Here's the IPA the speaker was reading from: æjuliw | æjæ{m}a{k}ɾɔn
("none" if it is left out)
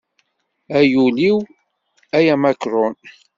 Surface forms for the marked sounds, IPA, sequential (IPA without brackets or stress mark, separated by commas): m, k